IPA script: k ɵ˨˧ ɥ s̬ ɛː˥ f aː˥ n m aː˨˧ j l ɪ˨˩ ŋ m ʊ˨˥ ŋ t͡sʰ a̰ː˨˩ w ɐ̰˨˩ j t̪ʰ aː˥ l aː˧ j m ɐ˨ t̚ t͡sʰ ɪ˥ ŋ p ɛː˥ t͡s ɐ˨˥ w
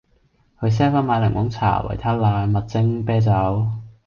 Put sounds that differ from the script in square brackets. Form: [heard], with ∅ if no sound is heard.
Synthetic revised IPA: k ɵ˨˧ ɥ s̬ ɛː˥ f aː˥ n m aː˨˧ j l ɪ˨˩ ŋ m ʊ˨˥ ŋ t͡sʰ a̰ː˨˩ w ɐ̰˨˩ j t̪ʰ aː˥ l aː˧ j m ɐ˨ t̚ [t͡s] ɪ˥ ŋ p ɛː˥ t͡s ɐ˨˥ w